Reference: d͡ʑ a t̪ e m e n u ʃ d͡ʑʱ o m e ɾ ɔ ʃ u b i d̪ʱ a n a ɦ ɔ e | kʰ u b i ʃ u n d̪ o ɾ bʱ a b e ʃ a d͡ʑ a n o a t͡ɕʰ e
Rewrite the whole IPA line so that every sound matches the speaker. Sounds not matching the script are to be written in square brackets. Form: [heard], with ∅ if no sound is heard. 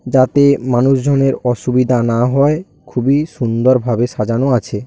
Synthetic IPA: d͡ʑ a t̪ e m [a] n u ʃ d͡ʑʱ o [n] e ɾ ɔ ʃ u b i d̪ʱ a n a ɦ ɔ e | kʰ u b i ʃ u n d̪ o ɾ bʱ a b e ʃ a d͡ʑ a n o a t͡ɕʰ e